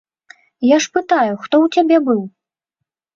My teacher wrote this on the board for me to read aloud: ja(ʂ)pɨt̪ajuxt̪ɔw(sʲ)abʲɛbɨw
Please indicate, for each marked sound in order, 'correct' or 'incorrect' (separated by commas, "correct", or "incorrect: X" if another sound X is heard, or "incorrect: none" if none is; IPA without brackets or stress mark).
correct, incorrect: t͡sʲ